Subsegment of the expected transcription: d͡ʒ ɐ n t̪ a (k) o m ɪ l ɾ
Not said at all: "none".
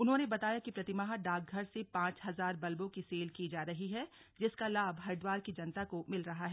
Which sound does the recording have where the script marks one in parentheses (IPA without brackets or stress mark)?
k